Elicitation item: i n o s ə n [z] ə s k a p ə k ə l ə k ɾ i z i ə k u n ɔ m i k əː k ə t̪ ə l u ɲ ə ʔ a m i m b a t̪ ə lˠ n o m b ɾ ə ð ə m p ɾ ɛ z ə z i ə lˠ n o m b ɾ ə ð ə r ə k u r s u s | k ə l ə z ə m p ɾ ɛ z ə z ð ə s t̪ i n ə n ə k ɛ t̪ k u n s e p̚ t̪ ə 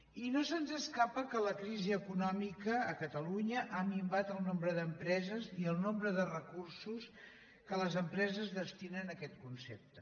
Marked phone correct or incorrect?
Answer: correct